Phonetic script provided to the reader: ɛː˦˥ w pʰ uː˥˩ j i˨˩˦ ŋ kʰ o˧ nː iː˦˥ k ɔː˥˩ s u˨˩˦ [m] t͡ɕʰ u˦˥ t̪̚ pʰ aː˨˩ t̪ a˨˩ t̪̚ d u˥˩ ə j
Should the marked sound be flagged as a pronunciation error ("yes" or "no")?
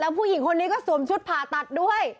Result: no